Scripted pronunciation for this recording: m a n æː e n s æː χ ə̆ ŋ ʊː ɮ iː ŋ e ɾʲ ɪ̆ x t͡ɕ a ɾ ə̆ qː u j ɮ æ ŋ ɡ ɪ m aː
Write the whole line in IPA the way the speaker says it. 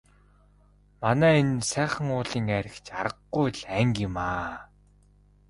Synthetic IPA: m a n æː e n s æː χ ə̆ ŋ ʊː ɮ iː ŋ æ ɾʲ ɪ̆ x t͡ɕ a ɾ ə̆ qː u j ɮ æ ŋ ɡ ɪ m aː